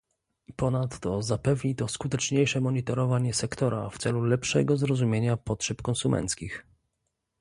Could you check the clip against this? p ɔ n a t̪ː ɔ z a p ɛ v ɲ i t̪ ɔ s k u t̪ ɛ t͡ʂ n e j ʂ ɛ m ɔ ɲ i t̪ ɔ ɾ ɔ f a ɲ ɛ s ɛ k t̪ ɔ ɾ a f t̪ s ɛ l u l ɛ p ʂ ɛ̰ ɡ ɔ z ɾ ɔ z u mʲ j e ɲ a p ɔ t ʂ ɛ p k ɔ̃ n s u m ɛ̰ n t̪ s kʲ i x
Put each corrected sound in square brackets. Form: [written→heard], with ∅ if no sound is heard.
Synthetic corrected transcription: p ɔ n a t̪ː ɔ z a p ɛ v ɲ i t̪ ɔ s k u t̪ ɛ t͡ʂ [n→ɲ] e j ʂ ɛ m ɔ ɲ i t̪ ɔ ɾ ɔ [f→v] a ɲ ɛ s ɛ k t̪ ɔ ɾ a f t̪ s ɛ l u l ɛ p ʂ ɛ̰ ɡ ɔ z ɾ ɔ z u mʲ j e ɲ a p ɔ t ʂ ɛ p k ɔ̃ n s u m ɛ̰ n t̪ s kʲ i x